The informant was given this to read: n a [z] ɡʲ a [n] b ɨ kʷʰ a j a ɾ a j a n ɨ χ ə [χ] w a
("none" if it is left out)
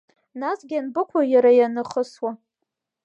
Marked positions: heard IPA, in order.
s, n, s

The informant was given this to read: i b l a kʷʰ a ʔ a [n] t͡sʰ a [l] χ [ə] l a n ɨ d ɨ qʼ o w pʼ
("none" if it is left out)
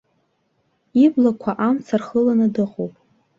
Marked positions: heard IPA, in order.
m, r, ə

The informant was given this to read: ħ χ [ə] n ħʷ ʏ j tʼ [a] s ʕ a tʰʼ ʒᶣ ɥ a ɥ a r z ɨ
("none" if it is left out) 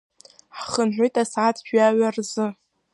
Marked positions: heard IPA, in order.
ə, a

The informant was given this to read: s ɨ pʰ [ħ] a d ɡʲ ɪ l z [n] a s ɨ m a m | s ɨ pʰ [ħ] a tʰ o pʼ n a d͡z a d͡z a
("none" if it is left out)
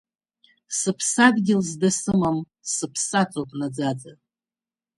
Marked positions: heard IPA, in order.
s, d, s

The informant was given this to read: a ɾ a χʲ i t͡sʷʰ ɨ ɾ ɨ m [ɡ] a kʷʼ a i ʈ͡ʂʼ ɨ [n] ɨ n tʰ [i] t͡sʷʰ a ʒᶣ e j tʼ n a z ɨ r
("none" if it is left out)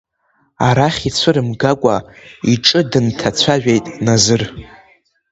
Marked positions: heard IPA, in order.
ɡ, d, a

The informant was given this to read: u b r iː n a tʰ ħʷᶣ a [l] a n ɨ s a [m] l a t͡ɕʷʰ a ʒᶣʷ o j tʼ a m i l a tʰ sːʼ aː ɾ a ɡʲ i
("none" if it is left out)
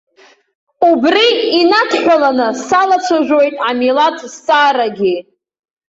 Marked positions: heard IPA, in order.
l, none

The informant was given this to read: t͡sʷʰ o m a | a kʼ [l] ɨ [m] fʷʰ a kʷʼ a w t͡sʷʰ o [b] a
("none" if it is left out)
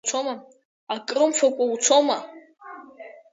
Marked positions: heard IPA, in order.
r, m, m

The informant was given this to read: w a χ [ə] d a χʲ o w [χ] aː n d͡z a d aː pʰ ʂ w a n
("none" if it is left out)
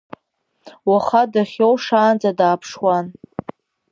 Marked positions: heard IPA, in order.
a, ʂ

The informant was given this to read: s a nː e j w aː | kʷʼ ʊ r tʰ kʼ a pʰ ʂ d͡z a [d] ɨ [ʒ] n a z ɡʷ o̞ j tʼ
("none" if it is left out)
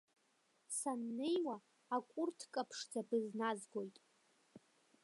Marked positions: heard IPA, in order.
b, z

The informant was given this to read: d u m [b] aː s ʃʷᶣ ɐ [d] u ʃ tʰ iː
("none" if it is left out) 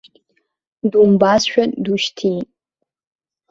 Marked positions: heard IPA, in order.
b, d

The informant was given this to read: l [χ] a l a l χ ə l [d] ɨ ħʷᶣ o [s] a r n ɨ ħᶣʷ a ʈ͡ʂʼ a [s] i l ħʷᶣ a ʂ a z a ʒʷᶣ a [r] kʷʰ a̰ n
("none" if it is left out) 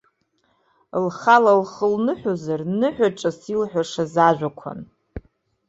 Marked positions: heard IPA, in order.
χ, n, z, s, none

